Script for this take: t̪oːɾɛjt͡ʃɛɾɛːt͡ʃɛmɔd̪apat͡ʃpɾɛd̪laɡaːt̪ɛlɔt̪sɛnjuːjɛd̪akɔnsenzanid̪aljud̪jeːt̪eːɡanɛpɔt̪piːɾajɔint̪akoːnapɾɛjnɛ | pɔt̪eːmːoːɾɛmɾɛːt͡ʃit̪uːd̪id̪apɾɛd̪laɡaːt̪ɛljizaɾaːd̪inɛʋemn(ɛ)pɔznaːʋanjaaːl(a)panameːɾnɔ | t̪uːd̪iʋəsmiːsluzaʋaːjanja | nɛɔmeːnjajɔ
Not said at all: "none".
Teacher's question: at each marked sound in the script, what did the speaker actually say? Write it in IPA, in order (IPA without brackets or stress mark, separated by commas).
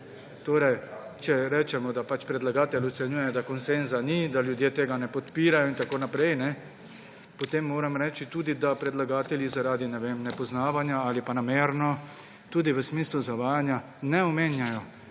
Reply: ɛ, i